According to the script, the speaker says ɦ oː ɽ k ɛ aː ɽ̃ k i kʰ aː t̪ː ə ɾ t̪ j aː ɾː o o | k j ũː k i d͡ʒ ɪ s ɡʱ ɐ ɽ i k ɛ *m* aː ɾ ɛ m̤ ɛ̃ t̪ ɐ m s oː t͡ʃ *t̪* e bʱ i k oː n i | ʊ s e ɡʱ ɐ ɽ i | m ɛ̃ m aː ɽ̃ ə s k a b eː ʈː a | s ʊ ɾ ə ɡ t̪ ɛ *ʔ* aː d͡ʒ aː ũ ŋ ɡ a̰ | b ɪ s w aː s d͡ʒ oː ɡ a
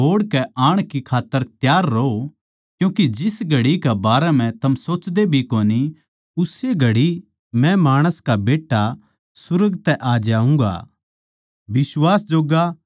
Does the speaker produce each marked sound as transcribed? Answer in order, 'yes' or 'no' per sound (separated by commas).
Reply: no, no, yes